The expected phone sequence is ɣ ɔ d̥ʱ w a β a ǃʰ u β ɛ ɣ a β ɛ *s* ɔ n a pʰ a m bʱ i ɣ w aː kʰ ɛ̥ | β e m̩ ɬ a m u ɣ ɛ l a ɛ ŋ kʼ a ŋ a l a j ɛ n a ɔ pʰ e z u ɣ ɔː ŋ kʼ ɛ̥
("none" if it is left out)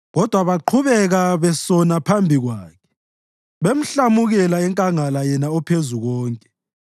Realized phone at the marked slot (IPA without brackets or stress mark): s